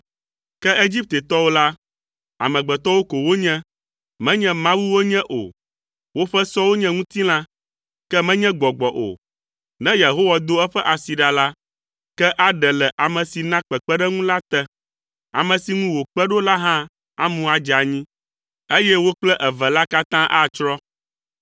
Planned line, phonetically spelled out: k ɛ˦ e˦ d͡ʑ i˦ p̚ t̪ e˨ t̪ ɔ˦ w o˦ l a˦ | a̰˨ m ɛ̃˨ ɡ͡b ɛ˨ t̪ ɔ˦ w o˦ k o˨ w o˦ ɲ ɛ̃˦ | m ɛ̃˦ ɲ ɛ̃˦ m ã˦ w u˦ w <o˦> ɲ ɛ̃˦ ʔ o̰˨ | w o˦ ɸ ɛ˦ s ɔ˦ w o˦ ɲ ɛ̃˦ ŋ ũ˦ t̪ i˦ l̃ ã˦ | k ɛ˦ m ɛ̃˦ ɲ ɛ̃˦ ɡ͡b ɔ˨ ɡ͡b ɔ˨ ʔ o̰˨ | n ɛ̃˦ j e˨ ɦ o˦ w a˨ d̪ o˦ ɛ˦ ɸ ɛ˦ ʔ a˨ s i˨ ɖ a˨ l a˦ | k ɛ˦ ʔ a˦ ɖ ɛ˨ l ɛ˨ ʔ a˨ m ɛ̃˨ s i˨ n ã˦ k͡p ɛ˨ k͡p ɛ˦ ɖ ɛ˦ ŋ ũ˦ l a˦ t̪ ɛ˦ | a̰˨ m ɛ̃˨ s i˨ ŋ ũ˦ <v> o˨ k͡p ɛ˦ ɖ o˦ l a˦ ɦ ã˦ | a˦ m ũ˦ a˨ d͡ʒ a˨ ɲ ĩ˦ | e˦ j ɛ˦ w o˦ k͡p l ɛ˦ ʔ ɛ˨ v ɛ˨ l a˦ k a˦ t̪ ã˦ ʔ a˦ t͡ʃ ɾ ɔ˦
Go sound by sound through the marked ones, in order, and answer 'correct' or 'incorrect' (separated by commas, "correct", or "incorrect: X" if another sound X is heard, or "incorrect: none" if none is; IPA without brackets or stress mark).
correct, incorrect: w